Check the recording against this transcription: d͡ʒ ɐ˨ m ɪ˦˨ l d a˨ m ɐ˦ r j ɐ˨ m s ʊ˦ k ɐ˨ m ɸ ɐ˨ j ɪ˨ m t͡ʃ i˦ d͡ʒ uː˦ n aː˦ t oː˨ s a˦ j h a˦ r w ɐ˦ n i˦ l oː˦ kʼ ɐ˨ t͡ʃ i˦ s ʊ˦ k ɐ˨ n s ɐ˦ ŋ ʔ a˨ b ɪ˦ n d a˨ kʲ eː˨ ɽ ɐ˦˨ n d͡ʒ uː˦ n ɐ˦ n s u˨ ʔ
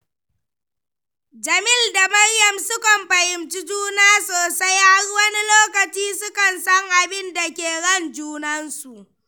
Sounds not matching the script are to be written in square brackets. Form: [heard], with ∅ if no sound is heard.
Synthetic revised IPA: d͡ʒ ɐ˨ m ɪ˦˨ l d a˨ m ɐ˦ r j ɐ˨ m s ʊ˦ k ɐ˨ m ɸ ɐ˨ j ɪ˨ m t͡ʃ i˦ d͡ʒ uː˦ n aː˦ [s] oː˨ s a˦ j h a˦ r w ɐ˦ n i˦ l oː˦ [k] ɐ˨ t͡ʃ [iː˦] s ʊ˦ k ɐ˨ n s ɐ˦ ŋ ʔ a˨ b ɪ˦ n d a˨ kʲ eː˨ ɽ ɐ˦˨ n d͡ʒ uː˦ n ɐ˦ n s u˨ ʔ

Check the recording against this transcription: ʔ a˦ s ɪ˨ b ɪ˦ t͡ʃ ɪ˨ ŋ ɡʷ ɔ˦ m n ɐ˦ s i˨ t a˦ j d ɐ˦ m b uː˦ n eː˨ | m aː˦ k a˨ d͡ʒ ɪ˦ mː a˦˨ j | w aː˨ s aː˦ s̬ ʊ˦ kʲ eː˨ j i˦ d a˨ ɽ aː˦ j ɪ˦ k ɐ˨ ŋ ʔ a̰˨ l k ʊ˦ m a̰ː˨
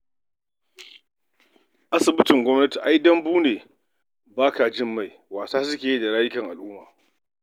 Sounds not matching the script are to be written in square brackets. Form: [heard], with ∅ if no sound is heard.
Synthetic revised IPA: ʔ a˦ s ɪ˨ b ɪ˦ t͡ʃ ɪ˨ ŋ ɡʷ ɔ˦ m n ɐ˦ [t] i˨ [ʔ] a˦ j d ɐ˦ m b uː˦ n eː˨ | [b] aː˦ k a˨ d͡ʒ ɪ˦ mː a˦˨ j | w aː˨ s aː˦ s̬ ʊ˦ kʲ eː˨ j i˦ d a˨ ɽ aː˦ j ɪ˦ k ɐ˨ ŋ ʔ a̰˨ l [ʔ] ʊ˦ m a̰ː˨

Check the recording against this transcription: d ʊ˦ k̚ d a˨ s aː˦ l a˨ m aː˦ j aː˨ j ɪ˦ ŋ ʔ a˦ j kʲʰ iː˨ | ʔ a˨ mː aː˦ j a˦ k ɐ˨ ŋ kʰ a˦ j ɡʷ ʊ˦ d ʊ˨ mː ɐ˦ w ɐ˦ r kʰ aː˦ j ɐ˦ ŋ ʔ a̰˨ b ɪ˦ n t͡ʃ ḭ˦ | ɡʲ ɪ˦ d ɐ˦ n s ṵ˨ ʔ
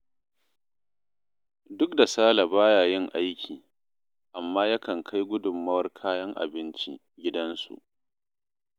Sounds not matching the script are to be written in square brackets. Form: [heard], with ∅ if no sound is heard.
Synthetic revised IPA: d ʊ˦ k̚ d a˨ s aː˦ l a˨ [b] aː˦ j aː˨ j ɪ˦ ŋ ʔ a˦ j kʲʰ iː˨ | ʔ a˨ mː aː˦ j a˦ k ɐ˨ ŋ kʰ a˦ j ɡʷ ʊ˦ d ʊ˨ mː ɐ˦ w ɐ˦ r kʰ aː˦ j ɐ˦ ŋ ʔ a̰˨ b ɪ˦ n t͡ʃ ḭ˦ | ɡʲ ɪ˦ d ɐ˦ n s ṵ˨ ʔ

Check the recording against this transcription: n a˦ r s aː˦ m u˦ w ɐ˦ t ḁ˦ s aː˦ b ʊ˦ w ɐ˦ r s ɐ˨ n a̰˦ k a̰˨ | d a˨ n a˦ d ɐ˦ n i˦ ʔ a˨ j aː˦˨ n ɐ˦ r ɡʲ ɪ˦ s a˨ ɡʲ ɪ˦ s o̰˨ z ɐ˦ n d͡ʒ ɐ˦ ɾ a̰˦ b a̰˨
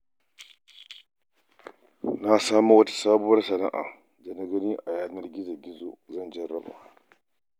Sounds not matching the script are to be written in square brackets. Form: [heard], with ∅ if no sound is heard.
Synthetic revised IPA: n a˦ [∅] s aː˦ m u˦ w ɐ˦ t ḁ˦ s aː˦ b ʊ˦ w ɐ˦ r s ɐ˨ n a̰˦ [ʔ] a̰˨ | d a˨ n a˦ [ɡ] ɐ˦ n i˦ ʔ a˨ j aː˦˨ n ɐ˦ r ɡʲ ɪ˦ [z] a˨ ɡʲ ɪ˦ [z] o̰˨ z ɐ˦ n d͡ʒ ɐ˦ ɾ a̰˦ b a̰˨

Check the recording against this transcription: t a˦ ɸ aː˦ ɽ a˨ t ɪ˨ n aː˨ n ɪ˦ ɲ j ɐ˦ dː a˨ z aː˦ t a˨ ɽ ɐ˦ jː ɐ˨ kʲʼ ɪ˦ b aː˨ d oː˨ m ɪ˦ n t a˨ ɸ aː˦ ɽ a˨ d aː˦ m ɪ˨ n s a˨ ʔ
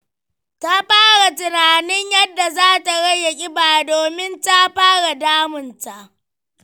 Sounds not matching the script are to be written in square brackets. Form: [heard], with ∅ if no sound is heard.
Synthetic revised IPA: t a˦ ɸ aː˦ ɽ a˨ t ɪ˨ n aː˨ n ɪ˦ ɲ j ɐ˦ dː a˨ z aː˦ t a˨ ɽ ɐ˦ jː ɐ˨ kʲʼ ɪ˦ b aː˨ d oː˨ m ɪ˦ n t [a˦] ɸ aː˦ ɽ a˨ d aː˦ m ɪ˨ n [t] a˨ ʔ

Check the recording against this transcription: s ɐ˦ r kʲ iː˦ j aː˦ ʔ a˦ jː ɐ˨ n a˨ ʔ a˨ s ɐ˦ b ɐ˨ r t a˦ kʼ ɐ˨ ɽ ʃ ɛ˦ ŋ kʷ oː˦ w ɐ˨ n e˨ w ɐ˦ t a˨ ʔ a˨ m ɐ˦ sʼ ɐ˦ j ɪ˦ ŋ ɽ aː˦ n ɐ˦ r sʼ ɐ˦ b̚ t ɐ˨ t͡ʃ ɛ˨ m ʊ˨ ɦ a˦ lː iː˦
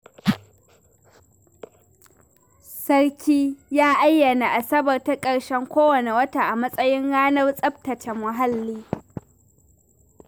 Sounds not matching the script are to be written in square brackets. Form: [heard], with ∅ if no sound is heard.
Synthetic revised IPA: s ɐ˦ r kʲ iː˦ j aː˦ ʔ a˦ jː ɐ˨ n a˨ ʔ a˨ s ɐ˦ b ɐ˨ r t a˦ kʼ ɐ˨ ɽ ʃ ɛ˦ ŋ kʷ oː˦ w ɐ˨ n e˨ w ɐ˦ t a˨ ʔ a˨ m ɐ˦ sʼ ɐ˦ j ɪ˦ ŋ ɽ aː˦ n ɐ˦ r sʼ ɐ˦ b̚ t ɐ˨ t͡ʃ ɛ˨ m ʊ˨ ɦ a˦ lː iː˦

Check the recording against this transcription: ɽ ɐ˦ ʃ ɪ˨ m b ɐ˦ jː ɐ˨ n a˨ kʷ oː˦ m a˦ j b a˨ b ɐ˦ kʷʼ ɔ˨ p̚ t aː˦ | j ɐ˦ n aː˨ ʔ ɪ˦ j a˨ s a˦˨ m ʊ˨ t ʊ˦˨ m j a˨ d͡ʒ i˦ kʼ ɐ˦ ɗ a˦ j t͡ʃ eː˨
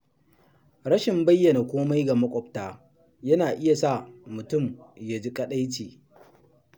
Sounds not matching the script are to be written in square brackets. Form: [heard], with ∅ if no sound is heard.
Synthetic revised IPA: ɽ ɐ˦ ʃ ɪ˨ m b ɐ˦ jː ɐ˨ n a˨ kʷ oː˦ m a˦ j [ɡ] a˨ [m] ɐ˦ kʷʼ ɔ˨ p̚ t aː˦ | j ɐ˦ n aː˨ ʔ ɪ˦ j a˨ s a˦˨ m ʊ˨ t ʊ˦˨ m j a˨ d͡ʒ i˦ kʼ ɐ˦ ɗ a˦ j t͡ʃ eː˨

